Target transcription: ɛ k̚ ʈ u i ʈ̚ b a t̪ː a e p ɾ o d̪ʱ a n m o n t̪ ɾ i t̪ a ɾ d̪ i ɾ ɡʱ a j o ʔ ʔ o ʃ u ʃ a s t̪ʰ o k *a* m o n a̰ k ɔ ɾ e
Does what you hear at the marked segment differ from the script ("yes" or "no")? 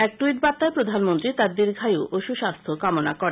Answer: no